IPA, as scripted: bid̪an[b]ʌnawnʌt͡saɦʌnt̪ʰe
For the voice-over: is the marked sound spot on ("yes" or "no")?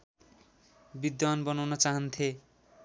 yes